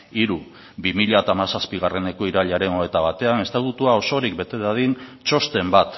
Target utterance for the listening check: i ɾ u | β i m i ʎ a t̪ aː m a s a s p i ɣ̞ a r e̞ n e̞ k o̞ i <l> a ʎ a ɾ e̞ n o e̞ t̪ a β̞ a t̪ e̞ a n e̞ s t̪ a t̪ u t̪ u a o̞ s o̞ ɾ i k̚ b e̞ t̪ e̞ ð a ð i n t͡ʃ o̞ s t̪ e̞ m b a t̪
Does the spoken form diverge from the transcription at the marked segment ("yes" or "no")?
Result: yes